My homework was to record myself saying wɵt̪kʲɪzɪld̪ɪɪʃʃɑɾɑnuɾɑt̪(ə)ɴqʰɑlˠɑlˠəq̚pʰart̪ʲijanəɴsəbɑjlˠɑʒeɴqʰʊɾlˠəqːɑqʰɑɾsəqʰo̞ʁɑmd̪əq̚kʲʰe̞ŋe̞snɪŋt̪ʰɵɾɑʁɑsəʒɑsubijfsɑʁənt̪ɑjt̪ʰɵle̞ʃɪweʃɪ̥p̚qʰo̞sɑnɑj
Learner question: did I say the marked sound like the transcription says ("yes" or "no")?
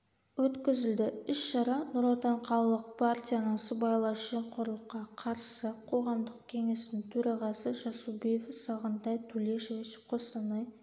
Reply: no